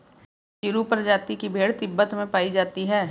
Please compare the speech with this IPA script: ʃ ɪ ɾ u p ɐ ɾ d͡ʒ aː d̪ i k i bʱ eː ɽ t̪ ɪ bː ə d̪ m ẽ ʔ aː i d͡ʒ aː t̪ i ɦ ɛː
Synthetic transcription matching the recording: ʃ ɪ ɾ u p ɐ ɾ d͡ʒ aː t̪ i k i bʱ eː ɽ t̪ ɪ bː ə t̪ m ẽ p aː i d͡ʒ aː t̪ i ɦ ɛː